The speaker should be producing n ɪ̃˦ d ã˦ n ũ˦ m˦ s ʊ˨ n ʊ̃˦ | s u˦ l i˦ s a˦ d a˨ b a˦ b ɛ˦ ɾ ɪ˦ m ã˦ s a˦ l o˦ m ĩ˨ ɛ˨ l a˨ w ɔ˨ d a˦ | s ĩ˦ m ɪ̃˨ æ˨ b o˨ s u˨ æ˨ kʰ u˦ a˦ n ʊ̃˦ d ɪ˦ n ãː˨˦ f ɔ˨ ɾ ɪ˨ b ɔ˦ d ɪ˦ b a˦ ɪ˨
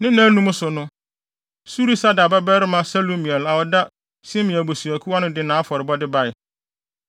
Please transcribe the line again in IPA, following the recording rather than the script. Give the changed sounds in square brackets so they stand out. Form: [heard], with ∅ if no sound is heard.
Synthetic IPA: n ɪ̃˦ [n] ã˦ n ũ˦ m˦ s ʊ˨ n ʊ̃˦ | s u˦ [ɾ] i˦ s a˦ d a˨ b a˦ b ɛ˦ ɾ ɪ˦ m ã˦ s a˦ l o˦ m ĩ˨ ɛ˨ l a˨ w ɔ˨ d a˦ | s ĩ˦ m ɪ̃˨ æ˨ b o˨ s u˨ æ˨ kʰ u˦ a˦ n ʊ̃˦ d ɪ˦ n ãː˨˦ f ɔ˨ ɾ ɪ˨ b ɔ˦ d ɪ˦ b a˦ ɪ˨